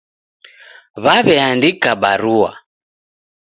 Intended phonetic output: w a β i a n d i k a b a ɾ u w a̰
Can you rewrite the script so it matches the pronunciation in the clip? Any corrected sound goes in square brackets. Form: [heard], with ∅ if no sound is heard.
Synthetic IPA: [β] a β [ɛ] a n d i k a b a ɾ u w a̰

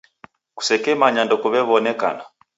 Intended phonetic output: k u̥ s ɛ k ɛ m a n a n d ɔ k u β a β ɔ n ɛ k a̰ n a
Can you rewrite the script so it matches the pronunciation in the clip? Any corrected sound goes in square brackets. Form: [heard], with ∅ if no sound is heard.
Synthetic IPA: k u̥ s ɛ k ɛ m a [ɲ] a n d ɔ k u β [ɛ] β ɔ n ɛ k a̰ n a

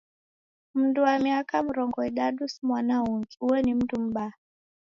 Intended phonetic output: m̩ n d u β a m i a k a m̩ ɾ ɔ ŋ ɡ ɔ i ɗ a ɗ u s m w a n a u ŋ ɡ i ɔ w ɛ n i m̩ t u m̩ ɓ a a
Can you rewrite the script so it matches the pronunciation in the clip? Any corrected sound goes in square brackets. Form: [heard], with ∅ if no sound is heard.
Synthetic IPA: m̩ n d u [w] a m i a k a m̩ ɾ ɔ ŋ ɡ ɔ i ɗ a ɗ u s m w a n a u ŋ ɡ i [u] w ɛ n i m̩ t u m̩ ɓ a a

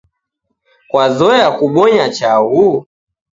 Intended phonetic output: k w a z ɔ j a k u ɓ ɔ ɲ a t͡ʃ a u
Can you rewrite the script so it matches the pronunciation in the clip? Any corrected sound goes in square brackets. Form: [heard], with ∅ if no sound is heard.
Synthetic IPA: k w a z ɔ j a k u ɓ ɔ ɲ a t͡ʃ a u

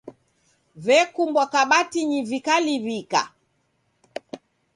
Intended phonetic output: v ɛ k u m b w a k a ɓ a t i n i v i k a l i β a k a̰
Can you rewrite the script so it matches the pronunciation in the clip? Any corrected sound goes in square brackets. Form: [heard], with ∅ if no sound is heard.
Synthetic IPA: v ɛ k u m b w a k a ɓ a t i [ɲ] i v i k a l i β [i] k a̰

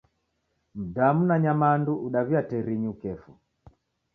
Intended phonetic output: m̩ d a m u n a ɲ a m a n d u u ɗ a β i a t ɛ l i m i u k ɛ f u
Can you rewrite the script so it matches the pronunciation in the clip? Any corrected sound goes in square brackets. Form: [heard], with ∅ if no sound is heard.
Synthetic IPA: m̩ d a m u n a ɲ a m a n d u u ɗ a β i a t ɛ [ɾ] i [ɲ] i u k ɛ f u

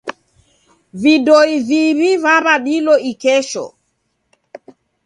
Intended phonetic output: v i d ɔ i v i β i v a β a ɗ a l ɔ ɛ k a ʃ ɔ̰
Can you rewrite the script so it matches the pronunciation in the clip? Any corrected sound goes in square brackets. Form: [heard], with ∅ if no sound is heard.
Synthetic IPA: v i d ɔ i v i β i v a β a ɗ [i] l ɔ [i] k [ɛ] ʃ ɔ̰

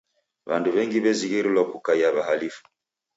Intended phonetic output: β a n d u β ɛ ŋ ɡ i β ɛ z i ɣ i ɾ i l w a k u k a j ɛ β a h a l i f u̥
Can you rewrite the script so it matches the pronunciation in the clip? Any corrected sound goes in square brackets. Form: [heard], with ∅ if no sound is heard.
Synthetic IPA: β a n d u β ɛ ŋ ɡ i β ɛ z i ɣ i ɾ i l w a k u k a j [a] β a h a l i f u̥

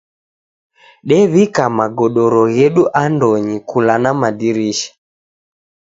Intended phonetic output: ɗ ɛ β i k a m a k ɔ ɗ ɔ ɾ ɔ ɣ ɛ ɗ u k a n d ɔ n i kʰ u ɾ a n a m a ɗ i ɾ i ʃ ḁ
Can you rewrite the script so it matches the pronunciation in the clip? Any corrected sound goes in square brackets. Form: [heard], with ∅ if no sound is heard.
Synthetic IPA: ɗ ɛ β i k a m a [ɡ] ɔ ɗ ɔ ɾ ɔ ɣ ɛ ɗ u [ʔ] a n d ɔ [ɲ] i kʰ u [l] a n a m a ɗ i ɾ i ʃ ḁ

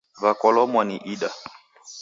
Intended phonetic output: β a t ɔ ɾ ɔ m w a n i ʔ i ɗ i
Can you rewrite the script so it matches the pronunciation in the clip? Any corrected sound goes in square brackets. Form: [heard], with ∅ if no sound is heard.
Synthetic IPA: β a [k] ɔ [l] ɔ m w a n i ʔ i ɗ [a]

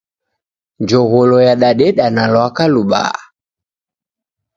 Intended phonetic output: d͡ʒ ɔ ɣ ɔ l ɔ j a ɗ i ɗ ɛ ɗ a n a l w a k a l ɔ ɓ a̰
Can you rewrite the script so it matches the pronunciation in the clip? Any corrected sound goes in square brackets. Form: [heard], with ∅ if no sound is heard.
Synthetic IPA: d͡ʒ ɔ ɣ ɔ l ɔ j a ɗ [a] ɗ ɛ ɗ a n a l w a k a l [u] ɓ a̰

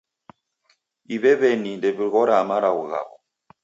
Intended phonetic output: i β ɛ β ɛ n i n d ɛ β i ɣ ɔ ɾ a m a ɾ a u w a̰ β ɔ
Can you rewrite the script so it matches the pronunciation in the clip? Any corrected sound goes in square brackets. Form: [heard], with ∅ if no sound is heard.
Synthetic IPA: i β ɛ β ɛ n i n d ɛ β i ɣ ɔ ɾ a m a ɾ a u [ɣ] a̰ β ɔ

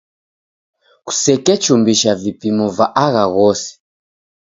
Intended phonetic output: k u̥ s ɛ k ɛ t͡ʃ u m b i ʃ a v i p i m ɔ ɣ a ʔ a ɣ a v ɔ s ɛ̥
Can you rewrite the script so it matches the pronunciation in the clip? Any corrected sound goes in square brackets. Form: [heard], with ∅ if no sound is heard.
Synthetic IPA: k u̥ s ɛ k ɛ t͡ʃ u m b i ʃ a v i p i m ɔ [v] a ʔ a ɣ a [ɣ] ɔ s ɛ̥

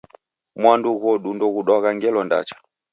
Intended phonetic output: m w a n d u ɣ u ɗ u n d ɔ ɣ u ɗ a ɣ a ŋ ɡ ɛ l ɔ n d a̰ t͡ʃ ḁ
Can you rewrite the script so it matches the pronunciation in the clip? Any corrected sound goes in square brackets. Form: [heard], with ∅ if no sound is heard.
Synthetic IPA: m w a n d u ɣ [ɔ] ɗ u n d ɔ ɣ u ɗ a ɣ a ŋ ɡ ɛ l ɔ n d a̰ t͡ʃ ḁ

